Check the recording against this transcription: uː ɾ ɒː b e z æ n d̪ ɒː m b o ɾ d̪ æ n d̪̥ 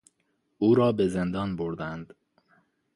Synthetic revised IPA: uː ɾ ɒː b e z e n d̪ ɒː n b o ɾ d̪ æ n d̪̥